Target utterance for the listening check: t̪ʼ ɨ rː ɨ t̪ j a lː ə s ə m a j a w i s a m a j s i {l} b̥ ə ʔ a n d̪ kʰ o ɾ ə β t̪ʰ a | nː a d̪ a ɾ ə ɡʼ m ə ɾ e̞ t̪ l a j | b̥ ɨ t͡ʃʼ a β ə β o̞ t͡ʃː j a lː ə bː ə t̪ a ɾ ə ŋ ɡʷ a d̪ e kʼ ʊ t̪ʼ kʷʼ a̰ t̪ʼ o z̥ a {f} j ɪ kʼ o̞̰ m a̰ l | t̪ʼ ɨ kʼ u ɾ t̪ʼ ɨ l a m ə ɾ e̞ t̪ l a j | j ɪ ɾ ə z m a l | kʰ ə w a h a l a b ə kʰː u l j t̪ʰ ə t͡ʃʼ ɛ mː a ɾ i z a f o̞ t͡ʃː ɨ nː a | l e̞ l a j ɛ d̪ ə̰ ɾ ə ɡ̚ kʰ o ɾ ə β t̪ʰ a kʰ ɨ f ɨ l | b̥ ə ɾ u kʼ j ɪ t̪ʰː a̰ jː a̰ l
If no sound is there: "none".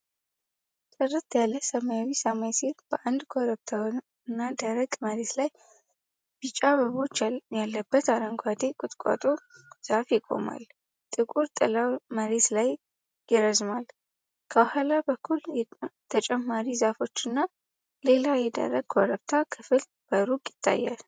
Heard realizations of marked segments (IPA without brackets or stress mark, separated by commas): ɾ, f